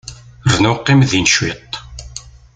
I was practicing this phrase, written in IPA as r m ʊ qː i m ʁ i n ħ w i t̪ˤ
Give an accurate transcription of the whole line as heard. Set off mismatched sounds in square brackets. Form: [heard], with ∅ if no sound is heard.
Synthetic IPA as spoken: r [n] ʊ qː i m [ð] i n [ʃ] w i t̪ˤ

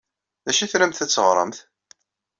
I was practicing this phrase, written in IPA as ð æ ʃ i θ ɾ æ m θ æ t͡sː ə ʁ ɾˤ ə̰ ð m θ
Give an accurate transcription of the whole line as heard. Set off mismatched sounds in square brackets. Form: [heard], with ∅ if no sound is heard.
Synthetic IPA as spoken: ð æ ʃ i θ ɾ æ m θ æ t͡sː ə ʁ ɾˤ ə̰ [∅] m θ

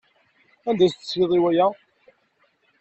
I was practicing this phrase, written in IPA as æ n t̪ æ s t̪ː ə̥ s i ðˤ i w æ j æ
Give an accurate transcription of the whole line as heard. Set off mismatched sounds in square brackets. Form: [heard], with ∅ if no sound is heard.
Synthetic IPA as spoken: æ n [d̪] æ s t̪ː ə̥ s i ðˤ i w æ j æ

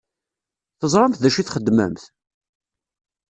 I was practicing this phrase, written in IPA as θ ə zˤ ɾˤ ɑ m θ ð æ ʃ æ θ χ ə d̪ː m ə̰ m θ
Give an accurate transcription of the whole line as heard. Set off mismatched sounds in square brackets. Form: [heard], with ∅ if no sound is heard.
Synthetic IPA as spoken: θ ə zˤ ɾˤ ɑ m θ ð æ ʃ [i] θ χ ə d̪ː m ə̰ m θ

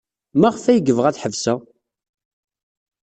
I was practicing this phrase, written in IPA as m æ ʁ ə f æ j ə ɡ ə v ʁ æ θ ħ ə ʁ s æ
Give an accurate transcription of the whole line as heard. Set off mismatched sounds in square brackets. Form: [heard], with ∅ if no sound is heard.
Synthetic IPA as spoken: m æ ʁ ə f æ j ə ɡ ə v ʁ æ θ ħ ə [v] s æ

